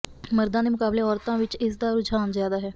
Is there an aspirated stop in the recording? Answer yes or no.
no